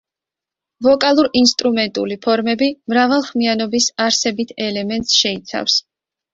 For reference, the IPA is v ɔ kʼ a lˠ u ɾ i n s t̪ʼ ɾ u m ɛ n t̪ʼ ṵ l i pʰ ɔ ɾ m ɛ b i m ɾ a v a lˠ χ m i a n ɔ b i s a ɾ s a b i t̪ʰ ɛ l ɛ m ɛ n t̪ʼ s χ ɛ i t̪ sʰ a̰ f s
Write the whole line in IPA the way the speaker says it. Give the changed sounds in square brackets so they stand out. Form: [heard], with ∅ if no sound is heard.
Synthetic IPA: v ɔ kʼ a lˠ u ɾ i n s t̪ʼ ɾ u m ɛ n t̪ʼ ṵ l i pʰ ɔ ɾ m ɛ b i m ɾ a v a lˠ χ m i a n ɔ b i s a ɾ s [ɛ] b i t̪ʰ ɛ l ɛ m ɛ n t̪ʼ s [ʃ] ɛ i t̪ sʰ a̰ f s